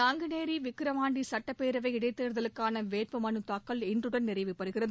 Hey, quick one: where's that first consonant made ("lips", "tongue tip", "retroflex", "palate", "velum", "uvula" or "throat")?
velum